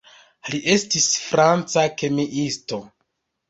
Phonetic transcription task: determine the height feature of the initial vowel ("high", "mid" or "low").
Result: high